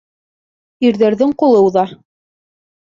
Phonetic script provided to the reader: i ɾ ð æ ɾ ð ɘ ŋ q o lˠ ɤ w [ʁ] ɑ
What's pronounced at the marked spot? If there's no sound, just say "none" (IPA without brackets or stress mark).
ð